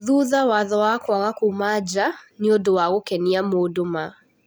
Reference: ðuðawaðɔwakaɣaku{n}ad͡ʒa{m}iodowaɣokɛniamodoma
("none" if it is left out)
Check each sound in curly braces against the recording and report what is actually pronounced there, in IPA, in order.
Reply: m, n

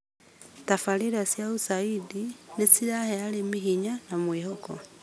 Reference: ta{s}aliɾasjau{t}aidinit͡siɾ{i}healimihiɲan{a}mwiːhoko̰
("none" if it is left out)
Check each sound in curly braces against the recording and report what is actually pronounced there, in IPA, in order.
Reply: f, s, a, a

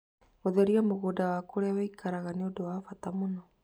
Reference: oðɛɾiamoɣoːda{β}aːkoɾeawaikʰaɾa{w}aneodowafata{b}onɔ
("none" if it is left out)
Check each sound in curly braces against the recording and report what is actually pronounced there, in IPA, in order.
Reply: w, ɣ, m

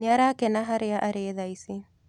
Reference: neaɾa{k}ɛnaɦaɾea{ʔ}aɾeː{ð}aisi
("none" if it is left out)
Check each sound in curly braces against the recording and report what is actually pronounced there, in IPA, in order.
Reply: k, ʔ, ð

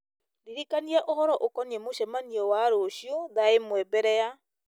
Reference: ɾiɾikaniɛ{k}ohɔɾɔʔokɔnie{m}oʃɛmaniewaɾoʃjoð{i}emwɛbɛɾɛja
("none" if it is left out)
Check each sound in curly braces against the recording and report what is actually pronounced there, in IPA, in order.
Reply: ʔ, m, a

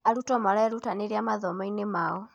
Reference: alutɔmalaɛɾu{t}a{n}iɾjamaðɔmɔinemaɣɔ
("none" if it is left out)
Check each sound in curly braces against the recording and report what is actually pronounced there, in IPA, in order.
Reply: t, n

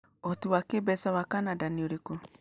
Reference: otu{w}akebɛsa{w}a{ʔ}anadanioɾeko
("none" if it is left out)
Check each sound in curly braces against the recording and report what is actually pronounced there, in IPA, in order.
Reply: w, w, k

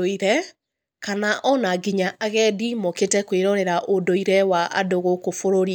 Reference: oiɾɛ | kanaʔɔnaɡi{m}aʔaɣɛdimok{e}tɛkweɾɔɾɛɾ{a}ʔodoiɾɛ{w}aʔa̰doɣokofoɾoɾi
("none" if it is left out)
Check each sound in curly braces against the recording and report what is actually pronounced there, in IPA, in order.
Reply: ɲ, e, a, w

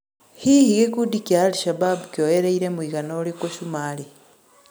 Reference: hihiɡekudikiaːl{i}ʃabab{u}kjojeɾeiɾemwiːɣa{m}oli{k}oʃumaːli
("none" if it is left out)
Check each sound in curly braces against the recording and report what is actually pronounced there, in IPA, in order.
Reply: i, u, n, k

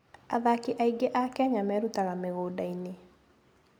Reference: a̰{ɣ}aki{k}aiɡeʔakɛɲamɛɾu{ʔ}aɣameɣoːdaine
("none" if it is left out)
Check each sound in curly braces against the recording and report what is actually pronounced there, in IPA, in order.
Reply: ð, ʔ, t

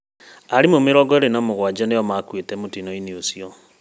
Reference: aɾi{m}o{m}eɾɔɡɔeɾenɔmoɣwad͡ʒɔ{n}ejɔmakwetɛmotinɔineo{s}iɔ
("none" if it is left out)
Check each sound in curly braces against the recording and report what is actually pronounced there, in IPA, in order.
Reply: m, m, n, s

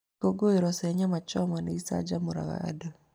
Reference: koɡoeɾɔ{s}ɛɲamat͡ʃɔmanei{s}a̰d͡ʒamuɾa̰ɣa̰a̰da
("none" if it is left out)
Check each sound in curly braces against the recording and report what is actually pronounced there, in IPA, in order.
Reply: s, s

